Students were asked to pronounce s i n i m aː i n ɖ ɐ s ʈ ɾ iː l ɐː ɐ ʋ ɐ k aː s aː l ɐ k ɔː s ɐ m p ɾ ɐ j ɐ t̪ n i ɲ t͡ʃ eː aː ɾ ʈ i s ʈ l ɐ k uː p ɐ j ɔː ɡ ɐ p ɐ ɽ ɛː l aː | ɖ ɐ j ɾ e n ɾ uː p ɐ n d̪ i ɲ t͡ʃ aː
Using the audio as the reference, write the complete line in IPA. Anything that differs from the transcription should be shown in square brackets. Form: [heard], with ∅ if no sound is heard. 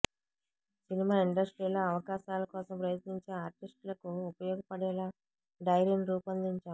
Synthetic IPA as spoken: s i n i m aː i [ɳ] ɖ ɐ s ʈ ɾ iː l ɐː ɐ ʋ ɐ k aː [ʃ] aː l ɐ k ɔː s ɐ m p ɾ ɐ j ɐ t̪ n i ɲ t͡ʃ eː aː ɾ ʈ i s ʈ l ɐ k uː p ɐ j ɔː ɡ ɐ p ɐ ɽ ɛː l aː | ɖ ɐ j ɾ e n ɾ uː p ɐ n d̪ i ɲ t͡ʃ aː